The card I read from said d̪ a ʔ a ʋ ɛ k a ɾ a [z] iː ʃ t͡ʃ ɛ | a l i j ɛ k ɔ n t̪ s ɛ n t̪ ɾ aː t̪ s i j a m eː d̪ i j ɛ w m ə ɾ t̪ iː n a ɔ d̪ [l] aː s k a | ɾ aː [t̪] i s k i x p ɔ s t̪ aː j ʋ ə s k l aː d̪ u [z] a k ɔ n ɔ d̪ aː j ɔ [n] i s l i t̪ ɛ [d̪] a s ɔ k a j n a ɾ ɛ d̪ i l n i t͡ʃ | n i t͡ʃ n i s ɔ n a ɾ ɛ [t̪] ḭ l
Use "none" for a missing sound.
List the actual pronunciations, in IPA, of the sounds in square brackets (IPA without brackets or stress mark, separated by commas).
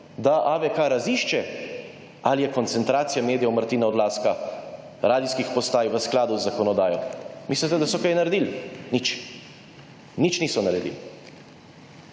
z, l, d̪, zː, m, d̪, d̪